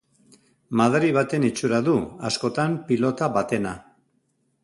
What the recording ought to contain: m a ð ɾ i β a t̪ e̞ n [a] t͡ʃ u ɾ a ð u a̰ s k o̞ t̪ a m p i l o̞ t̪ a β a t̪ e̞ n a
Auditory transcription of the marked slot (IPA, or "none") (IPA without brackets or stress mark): i